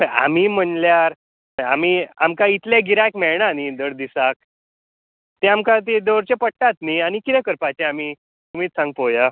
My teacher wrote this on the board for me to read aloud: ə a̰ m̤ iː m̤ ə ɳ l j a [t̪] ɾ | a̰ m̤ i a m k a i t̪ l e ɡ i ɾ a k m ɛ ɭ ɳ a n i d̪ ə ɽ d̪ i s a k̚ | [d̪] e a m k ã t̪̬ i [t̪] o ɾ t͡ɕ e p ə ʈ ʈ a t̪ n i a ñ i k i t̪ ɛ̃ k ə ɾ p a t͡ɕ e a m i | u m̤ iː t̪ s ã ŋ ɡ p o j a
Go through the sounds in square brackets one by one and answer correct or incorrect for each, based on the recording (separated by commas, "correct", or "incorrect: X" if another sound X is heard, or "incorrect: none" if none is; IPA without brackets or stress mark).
incorrect: none, incorrect: t̪, incorrect: d̪